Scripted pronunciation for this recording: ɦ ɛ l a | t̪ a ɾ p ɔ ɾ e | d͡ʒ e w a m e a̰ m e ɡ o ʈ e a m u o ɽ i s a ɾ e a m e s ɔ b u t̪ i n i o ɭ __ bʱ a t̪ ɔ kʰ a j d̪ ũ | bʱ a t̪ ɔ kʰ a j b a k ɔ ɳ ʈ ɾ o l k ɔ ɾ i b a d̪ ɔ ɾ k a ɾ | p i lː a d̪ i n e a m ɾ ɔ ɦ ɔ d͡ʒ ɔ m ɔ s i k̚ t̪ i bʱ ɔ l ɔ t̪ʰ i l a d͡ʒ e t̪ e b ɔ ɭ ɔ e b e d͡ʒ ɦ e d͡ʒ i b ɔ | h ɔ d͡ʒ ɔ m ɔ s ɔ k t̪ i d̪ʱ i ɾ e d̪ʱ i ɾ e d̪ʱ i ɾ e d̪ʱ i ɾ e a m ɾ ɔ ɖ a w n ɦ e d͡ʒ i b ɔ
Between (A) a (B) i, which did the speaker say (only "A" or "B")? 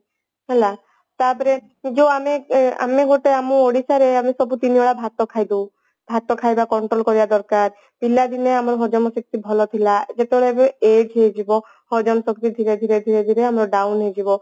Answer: A